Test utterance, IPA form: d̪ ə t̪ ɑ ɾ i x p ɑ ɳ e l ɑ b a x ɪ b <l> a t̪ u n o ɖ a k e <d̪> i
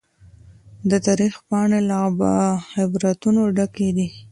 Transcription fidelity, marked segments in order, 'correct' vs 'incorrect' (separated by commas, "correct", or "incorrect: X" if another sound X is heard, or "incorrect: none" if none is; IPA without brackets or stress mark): incorrect: ɾ, correct